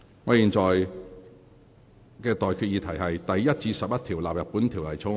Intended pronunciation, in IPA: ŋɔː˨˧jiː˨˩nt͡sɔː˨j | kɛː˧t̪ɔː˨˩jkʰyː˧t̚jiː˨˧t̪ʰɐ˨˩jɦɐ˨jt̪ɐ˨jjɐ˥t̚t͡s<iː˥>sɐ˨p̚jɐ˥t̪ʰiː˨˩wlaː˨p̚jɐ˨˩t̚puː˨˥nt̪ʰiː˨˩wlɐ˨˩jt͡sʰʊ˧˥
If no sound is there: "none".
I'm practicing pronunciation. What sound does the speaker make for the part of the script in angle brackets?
iː˧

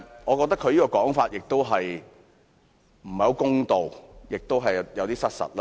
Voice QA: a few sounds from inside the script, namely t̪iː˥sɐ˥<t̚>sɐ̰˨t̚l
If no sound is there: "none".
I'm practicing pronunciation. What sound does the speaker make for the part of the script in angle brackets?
t̚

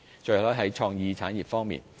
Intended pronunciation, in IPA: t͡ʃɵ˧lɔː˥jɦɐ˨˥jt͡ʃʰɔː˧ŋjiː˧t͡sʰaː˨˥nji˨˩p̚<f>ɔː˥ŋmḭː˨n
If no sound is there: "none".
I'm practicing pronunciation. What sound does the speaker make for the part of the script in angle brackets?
f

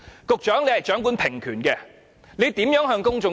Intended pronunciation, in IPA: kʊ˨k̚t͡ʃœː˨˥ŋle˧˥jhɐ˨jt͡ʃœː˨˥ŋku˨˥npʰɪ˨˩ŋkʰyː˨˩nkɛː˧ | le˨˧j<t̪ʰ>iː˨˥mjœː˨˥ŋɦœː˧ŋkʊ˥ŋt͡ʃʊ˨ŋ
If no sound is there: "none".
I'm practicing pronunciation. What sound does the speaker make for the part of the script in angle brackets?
t̪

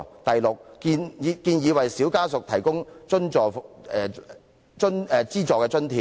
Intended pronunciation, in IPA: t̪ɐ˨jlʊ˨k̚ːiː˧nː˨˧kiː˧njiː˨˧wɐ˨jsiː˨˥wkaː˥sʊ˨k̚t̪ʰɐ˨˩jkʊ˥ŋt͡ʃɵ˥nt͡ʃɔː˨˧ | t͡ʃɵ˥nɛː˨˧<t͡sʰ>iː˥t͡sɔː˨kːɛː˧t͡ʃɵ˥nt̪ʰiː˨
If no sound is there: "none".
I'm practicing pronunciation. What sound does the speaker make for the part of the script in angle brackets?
t͡s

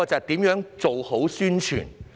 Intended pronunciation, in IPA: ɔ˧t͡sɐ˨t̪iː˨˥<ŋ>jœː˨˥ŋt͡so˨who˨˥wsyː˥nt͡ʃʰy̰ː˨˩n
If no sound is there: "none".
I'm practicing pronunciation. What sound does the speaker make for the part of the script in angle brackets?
m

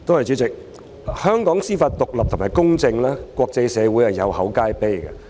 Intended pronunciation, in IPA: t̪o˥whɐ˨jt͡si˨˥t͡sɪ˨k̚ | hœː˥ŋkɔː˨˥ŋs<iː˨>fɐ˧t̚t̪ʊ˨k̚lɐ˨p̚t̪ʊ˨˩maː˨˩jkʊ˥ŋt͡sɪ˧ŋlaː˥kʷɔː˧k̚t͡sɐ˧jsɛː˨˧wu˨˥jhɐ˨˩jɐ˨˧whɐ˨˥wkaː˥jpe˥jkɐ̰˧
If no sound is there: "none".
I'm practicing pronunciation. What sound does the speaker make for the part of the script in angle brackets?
iː˥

